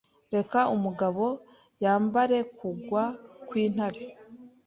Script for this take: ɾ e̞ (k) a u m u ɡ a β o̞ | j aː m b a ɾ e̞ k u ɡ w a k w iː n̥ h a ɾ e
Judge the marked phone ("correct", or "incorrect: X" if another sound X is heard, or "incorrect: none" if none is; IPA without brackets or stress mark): correct